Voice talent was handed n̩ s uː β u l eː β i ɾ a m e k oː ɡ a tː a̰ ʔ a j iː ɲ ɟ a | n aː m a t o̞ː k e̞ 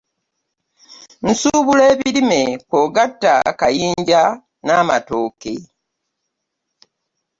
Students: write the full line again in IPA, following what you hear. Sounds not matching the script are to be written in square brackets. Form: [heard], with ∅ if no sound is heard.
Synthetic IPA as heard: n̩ s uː β u l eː β i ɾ [i] m e k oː ɡ a tː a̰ [k] a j iː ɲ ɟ a | n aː m a t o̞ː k e̞